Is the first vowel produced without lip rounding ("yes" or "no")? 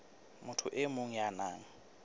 no